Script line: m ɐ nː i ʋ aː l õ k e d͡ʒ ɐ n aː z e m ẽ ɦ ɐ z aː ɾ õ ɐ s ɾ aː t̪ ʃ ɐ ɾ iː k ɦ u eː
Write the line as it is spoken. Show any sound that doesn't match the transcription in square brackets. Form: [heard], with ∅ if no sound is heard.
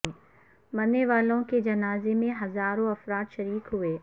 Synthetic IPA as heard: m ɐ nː [e] ʋ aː l õ k e d͡ʒ ɐ n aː z e m ẽ ɦ ɐ z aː ɾ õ ɐ [f] ɾ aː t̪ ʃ ɐ ɾ iː k ɦ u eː